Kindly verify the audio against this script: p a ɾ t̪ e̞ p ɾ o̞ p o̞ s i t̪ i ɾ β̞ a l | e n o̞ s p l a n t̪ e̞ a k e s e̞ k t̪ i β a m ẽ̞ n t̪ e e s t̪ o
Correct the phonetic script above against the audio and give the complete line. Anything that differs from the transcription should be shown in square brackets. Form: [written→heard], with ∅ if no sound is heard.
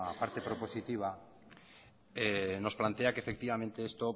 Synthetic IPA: p a ɾ t̪ e̞ p ɾ o̞ p o̞ s i t̪ i [ɾ→∅] β̞ a [l→∅] | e n o̞ s p l a n t̪ e̞ a k e [s→f] e̞ k t̪ i β a m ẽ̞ n t̪ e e s t̪ o